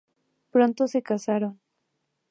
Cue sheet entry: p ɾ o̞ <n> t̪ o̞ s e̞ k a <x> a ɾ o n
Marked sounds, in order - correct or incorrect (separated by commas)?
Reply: correct, incorrect